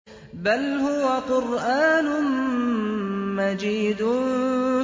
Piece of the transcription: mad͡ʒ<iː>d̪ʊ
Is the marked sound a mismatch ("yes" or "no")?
no